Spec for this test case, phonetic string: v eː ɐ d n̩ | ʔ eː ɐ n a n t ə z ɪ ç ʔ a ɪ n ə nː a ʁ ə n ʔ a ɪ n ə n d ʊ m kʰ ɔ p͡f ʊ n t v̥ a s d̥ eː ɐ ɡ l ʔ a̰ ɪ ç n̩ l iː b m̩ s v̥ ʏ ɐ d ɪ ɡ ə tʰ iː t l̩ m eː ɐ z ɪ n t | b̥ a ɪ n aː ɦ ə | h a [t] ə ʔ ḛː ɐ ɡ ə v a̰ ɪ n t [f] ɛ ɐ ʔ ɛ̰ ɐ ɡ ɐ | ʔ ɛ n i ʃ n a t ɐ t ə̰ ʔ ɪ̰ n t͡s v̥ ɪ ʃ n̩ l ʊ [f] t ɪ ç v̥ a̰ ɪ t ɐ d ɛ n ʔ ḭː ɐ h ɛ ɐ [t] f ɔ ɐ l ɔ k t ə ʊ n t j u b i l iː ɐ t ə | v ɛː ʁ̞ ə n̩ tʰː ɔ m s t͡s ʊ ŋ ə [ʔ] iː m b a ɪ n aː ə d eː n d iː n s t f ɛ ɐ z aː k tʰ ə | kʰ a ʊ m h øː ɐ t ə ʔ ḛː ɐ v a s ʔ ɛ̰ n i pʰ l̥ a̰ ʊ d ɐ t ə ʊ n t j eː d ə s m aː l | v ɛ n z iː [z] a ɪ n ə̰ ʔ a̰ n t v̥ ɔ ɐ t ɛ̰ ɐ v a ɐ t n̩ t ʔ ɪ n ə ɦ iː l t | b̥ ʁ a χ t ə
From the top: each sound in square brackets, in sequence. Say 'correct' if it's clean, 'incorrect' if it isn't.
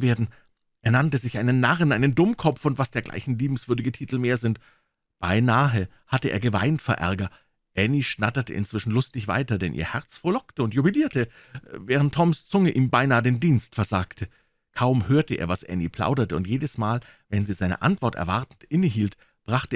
correct, correct, incorrect: s, incorrect: t͡s, correct, correct

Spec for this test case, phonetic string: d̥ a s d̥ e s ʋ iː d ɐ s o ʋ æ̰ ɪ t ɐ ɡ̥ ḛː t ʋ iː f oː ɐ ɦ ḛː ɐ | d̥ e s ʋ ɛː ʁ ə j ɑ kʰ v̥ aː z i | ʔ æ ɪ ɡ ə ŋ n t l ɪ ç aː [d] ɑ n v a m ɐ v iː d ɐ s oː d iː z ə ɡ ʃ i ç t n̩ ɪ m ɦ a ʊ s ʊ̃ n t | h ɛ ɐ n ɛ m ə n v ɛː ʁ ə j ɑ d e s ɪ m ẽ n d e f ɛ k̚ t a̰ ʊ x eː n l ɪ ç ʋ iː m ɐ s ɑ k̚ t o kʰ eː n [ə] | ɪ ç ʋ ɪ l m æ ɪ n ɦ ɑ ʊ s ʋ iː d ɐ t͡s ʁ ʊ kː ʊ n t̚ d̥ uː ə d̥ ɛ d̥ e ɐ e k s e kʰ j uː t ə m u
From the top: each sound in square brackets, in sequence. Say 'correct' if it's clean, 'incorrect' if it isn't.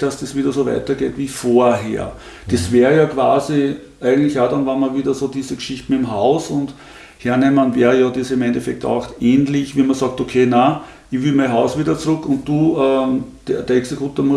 correct, incorrect: a

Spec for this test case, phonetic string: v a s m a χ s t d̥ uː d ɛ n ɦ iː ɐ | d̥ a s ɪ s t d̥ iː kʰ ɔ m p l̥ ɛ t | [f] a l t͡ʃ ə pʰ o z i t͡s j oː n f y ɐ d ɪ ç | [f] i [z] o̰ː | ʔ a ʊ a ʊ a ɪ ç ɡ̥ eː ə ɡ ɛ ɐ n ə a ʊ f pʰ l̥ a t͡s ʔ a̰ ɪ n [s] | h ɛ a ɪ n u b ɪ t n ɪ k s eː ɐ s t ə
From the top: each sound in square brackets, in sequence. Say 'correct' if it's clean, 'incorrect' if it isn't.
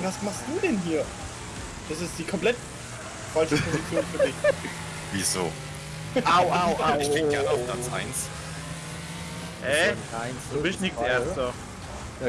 correct, incorrect: v, correct, correct

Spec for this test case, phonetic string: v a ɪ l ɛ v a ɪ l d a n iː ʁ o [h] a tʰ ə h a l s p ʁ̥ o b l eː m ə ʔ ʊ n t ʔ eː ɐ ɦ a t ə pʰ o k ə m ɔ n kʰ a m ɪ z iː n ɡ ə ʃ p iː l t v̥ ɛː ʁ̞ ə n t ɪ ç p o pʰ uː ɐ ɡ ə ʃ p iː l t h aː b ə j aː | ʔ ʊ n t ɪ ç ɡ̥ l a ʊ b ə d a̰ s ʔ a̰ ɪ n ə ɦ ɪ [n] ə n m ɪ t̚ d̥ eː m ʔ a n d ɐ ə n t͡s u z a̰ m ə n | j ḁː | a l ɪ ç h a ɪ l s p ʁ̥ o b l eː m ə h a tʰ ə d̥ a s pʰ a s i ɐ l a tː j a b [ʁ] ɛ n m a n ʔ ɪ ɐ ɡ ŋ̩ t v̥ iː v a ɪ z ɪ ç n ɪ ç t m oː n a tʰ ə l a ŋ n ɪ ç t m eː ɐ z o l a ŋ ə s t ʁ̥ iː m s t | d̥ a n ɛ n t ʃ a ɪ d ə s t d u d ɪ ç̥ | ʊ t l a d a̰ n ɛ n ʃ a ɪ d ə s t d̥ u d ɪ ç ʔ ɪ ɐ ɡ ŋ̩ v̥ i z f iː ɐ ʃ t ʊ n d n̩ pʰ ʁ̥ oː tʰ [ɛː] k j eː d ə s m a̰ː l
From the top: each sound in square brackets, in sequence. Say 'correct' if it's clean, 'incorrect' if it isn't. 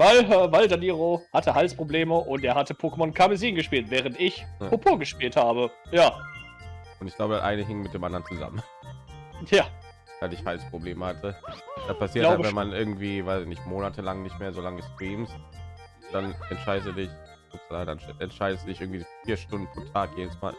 correct, incorrect: ŋ, incorrect: v, incorrect: aː

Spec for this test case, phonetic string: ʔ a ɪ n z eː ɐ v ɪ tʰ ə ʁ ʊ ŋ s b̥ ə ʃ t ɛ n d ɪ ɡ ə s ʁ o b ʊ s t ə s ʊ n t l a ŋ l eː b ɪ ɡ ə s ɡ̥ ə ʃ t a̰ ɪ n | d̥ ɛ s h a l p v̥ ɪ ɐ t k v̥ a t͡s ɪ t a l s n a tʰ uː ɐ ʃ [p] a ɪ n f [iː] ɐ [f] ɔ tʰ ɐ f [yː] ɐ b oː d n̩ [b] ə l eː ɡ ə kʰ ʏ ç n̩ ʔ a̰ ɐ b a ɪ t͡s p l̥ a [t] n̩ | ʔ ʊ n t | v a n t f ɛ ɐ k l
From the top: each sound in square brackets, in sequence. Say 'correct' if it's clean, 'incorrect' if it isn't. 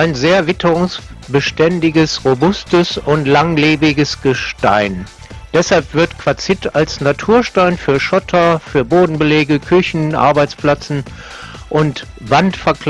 incorrect: t, incorrect: yː, incorrect: ʃ, correct, correct, incorrect: t͡s

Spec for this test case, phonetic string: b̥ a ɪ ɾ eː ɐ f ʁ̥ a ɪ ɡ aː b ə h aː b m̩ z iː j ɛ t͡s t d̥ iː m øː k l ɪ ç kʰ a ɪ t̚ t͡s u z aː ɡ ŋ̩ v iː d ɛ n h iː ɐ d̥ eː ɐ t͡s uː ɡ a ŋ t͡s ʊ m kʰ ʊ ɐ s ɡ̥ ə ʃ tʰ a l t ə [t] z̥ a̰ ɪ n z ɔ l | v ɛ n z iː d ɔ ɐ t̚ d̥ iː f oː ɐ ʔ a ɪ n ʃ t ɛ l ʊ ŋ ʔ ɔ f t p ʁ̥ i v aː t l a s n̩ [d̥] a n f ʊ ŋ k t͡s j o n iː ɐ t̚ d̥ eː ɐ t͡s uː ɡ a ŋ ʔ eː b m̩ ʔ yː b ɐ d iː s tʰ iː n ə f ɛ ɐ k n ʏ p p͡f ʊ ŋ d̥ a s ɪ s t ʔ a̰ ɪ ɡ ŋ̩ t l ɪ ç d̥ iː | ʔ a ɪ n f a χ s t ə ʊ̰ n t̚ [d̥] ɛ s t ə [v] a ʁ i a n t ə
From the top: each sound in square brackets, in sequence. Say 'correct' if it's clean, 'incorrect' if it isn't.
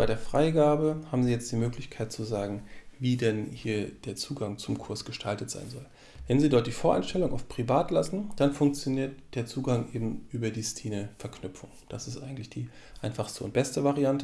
correct, correct, incorrect: b̥, correct

